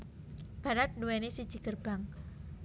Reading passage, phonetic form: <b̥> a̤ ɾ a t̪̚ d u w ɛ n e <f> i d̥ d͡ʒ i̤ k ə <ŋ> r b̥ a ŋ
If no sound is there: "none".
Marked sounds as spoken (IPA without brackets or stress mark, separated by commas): b̥, s, none